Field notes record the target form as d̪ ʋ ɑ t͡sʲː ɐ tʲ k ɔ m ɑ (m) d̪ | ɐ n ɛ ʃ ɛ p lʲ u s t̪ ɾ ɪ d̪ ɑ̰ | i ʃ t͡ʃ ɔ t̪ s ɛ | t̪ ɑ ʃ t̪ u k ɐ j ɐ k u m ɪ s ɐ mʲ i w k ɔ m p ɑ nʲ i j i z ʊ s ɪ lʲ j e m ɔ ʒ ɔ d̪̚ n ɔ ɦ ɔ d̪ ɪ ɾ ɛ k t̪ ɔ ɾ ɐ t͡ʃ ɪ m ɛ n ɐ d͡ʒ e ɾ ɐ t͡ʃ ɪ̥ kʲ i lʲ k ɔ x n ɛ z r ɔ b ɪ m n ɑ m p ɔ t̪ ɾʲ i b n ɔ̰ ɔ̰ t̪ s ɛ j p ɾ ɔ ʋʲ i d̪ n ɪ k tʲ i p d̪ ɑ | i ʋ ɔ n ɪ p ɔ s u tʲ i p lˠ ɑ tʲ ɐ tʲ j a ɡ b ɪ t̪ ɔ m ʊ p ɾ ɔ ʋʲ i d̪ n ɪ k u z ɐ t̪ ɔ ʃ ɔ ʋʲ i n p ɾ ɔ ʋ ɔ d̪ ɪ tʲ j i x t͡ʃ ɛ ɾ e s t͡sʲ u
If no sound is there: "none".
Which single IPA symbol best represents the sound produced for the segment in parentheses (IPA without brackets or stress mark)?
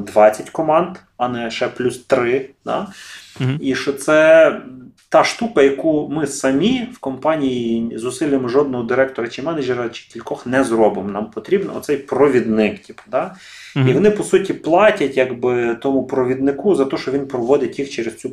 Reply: n